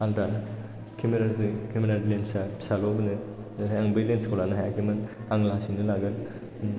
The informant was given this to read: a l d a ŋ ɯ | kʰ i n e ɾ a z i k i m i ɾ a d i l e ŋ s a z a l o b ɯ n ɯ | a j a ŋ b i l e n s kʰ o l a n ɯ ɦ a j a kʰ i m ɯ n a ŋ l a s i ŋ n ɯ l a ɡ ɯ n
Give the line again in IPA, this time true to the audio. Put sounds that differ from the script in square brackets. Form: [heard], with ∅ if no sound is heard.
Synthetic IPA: a l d a [n] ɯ | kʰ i [m] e ɾ a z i k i m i ɾ a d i l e [n] s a [s] a l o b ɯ n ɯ | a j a ŋ b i l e n s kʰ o l a n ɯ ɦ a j a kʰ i m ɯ n a ŋ l a s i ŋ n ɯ l a ɡ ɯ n